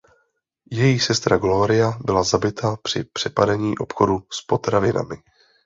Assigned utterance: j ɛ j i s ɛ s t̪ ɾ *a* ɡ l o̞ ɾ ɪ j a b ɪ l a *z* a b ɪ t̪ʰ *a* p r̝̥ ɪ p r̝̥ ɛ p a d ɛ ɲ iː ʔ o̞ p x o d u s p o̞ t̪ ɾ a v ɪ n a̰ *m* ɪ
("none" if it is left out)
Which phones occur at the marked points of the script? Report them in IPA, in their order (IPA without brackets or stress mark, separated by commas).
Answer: a, z, a, m